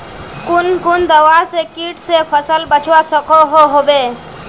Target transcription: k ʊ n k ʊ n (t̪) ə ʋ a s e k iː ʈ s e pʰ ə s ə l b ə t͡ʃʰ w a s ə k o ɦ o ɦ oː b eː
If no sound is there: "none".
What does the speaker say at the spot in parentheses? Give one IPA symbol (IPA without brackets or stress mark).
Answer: d̪